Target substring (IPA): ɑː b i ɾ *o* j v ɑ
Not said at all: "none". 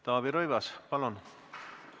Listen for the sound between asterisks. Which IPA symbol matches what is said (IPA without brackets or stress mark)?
o